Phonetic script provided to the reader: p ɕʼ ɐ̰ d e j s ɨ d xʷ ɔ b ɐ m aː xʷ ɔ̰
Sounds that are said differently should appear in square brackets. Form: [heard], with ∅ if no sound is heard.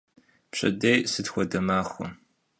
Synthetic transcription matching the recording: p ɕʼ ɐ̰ d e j s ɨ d xʷ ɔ [d] ɐ m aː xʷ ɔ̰